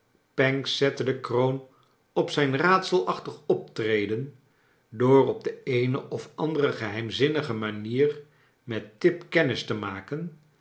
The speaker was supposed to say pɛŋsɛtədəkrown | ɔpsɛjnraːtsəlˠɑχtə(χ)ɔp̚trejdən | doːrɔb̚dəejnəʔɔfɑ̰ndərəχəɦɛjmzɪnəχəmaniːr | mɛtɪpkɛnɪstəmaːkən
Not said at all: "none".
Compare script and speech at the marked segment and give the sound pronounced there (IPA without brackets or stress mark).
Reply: χ